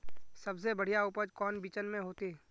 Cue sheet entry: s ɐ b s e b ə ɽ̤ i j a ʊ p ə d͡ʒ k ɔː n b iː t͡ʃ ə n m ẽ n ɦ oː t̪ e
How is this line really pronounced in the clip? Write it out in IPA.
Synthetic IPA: s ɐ b s e b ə ɽ̤ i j a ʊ p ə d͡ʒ k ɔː n b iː t͡ʃ ə n m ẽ ɦ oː t̪ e